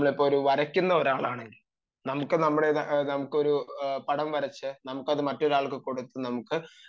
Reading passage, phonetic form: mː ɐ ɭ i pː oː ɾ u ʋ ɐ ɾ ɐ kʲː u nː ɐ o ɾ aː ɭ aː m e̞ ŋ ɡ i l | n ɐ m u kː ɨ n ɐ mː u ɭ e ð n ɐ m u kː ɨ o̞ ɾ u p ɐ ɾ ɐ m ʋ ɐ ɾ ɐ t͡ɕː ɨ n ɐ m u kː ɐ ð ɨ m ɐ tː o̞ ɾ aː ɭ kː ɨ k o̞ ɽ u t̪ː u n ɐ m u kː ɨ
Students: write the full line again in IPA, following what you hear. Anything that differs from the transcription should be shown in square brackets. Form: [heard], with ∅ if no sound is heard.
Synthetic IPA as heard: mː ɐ ɭ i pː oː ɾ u ʋ ɐ ɾ ɐ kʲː u nː ɐ o ɾ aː ɭ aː [ɳ] e̞ ŋ ɡ i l | n ɐ m u kː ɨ n ɐ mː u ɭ e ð n ɐ m u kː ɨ o̞ ɾ u p ɐ [ɽ] ɐ m ʋ ɐ ɾ ɐ t͡ɕː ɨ n ɐ m u kː ɐ ð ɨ m ɐ tː o̞ ɾ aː ɭ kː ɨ k o̞ ɽ u t̪ː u n ɐ m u kː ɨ